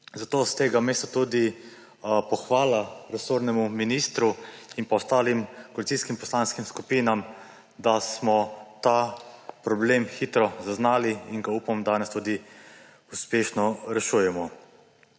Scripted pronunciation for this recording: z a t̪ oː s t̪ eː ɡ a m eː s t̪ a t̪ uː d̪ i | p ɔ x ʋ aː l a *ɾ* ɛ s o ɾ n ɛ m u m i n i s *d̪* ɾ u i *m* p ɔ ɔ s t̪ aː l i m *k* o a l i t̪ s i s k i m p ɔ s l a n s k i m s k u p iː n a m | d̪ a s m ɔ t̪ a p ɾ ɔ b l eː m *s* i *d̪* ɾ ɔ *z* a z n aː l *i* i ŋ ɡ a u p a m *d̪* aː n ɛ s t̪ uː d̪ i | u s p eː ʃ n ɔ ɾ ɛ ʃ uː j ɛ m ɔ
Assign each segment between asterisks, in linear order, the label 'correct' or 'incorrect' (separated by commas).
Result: correct, incorrect, incorrect, correct, incorrect, incorrect, correct, correct, correct